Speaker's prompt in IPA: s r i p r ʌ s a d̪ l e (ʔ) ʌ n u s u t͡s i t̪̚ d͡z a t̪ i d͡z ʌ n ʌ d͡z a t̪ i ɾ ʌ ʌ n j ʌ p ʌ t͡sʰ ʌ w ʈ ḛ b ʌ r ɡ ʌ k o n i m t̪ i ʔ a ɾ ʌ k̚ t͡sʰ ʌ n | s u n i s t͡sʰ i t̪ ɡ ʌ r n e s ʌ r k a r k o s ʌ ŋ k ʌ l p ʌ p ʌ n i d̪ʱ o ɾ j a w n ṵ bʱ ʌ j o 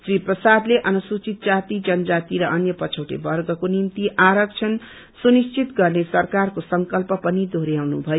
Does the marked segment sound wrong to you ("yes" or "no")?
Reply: no